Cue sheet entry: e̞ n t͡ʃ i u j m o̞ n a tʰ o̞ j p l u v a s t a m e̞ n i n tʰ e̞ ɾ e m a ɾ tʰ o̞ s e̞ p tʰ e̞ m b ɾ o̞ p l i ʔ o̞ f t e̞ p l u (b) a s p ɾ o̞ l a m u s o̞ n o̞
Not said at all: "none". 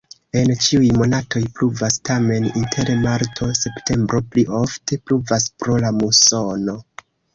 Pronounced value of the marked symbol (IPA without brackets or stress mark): v